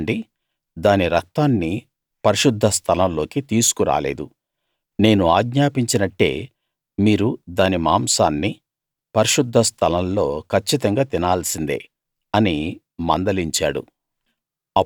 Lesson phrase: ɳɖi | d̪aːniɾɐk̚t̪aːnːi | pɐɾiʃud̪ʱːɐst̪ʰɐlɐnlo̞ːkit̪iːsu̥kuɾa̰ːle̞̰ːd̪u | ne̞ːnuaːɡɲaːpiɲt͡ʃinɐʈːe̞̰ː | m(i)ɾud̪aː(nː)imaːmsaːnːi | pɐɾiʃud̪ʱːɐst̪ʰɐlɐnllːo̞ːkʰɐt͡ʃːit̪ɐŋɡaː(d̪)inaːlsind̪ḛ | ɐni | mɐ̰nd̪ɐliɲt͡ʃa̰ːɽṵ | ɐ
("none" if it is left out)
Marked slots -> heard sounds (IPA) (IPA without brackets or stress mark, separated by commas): iː, n, t̪